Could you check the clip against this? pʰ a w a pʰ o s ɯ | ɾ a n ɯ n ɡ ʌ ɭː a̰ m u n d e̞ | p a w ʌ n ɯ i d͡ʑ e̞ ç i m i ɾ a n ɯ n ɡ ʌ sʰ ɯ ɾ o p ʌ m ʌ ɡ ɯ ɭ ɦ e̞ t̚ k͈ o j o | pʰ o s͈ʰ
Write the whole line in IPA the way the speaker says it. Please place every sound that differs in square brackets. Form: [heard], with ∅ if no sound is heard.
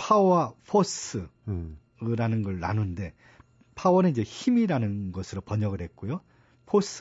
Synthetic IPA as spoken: pʰ a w a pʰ o s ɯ | ɾ a n ɯ n ɡ ʌ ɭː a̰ [n] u n d e̞ | [pʰ] a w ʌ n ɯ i d͡ʑ e̞ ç i m i ɾ a n ɯ n ɡ ʌ sʰ ɯ ɾ o p ʌ [ɲ] ʌ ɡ ɯ ɭ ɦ e̞ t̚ k͈ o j o | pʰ o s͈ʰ